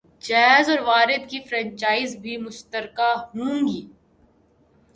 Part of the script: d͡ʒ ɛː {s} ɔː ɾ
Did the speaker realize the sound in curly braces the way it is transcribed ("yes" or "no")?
no